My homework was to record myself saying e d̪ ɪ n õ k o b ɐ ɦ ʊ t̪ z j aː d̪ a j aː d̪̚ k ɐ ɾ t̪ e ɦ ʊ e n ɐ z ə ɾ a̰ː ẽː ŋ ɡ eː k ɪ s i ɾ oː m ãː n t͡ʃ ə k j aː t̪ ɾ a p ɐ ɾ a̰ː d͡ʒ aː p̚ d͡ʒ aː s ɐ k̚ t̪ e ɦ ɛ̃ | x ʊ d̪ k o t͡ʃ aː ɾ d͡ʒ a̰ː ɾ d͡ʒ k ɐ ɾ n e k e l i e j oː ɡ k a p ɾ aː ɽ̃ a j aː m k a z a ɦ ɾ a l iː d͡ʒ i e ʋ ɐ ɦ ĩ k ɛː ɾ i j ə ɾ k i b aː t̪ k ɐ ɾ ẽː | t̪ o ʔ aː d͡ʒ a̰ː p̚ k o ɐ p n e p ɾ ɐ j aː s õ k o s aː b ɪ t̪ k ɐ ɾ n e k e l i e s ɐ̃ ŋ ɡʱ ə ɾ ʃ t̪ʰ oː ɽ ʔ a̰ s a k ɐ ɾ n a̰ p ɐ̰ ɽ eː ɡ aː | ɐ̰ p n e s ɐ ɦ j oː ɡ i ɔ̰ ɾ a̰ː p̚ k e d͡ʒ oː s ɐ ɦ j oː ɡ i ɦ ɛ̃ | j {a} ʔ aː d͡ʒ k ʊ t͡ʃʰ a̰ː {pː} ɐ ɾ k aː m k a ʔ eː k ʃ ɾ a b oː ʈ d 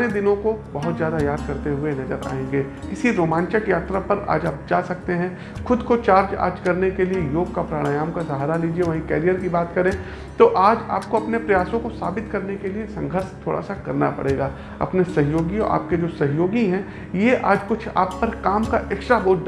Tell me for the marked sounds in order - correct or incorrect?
incorrect: e, correct

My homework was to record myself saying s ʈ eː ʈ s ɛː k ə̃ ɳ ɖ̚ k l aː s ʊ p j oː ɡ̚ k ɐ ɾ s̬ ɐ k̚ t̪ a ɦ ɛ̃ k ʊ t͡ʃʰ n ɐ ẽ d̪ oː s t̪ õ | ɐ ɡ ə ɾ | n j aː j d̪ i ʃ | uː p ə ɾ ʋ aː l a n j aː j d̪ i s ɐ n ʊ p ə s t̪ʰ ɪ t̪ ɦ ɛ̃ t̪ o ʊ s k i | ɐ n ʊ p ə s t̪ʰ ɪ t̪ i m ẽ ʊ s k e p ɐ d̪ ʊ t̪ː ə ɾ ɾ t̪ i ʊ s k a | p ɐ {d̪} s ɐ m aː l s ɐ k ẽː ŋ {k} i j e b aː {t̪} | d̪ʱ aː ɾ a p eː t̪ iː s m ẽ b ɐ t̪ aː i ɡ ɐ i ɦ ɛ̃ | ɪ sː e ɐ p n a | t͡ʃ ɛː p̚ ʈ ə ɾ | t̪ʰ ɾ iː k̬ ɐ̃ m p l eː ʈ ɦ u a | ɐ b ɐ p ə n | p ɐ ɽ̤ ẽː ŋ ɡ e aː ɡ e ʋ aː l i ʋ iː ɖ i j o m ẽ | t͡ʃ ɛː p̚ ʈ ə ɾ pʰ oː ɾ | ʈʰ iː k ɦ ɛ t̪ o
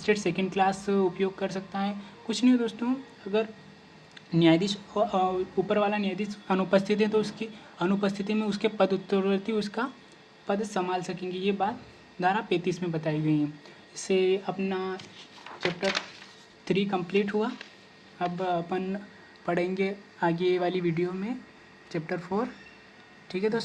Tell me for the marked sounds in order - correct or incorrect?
correct, incorrect: ɡ, correct

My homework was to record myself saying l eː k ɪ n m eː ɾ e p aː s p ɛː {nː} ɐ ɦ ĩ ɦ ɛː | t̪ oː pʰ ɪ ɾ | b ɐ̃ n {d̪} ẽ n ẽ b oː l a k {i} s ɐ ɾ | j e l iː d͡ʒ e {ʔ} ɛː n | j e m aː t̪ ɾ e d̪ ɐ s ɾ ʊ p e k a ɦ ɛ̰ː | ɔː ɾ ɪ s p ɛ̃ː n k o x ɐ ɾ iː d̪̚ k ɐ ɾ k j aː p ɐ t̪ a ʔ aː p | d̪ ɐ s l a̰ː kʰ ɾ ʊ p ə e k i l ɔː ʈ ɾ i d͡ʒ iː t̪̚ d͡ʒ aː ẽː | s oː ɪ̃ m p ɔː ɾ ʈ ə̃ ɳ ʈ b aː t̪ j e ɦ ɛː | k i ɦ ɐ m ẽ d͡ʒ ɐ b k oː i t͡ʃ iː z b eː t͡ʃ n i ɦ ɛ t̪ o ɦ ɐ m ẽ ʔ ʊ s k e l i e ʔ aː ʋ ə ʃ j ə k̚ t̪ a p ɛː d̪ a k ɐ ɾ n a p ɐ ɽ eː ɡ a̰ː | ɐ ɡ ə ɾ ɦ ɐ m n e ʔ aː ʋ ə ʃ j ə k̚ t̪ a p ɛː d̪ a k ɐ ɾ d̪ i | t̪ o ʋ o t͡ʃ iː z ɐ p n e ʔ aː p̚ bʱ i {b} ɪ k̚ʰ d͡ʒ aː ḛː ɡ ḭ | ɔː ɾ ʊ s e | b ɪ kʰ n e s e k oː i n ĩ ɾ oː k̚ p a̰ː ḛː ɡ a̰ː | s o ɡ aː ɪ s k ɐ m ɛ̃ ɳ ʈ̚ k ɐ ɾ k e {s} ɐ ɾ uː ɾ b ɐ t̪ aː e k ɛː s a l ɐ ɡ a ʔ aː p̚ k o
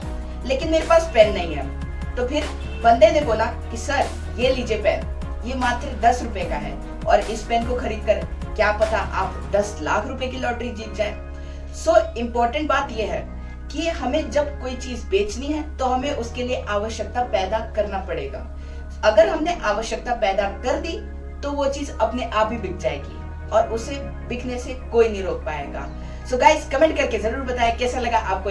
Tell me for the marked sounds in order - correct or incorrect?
correct, correct, correct, incorrect: p, correct, incorrect: z

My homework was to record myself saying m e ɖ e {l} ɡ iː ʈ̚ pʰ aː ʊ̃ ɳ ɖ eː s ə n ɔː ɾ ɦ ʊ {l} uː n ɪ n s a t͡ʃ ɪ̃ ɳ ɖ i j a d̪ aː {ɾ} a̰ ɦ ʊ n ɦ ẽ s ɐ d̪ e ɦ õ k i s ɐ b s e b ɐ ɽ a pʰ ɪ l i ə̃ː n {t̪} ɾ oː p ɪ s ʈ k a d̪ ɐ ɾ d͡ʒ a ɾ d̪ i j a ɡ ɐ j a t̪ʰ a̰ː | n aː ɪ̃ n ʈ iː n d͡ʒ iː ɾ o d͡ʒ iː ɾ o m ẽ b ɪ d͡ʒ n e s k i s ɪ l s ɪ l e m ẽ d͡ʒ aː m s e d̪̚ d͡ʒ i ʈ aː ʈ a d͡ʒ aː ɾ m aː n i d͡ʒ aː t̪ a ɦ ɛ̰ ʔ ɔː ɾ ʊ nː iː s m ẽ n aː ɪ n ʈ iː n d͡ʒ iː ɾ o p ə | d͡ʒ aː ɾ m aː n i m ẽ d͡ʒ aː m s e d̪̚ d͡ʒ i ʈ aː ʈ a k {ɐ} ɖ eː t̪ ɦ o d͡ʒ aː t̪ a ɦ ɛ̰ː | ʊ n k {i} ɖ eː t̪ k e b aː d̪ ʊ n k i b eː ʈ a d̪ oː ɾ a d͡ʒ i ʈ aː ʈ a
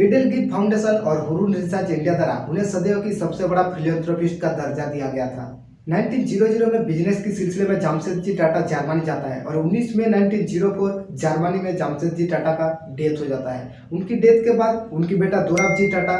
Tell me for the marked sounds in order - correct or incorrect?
correct, incorrect: ɾ, correct, correct, incorrect: a, correct

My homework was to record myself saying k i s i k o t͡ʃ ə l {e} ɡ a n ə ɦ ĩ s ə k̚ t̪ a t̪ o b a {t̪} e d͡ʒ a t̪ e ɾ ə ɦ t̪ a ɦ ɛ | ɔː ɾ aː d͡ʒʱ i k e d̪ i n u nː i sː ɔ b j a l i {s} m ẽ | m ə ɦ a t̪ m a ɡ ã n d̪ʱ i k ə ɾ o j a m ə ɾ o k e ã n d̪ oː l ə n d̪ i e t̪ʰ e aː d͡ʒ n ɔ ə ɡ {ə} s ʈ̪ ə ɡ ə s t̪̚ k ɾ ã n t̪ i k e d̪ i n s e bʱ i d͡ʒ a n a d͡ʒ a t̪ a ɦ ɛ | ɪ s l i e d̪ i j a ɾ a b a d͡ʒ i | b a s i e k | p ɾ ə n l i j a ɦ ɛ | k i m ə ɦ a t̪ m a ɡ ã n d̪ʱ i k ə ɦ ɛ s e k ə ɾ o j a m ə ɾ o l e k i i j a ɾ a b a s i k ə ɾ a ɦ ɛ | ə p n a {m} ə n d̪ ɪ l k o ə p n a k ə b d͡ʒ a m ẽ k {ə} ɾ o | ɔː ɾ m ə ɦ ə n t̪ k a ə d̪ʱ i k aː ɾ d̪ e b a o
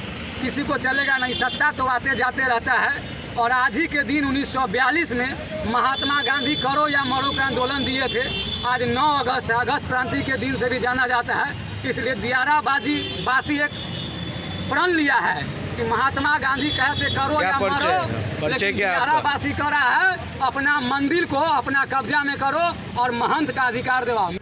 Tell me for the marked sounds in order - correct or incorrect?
correct, correct, correct, correct, correct, correct

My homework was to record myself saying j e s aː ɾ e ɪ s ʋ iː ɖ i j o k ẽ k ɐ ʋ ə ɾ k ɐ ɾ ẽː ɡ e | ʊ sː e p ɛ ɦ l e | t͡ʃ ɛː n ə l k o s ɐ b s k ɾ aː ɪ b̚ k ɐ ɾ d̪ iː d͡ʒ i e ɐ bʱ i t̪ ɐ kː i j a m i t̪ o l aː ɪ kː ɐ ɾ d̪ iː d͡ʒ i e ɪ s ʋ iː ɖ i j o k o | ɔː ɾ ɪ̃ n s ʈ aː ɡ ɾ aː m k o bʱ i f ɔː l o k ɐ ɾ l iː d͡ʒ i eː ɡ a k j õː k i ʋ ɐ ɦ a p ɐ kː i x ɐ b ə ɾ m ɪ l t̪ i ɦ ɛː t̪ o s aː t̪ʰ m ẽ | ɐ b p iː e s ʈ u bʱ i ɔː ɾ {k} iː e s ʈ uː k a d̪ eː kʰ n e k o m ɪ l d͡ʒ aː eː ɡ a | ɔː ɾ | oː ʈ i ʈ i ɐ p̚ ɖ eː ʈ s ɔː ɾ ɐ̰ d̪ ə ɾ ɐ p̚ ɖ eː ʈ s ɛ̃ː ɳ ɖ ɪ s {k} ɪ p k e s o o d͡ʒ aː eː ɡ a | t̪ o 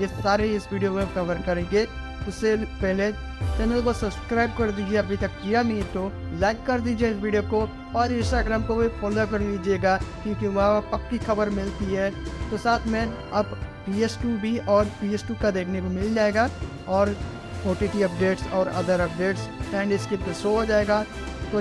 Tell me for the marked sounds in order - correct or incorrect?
incorrect: p, correct

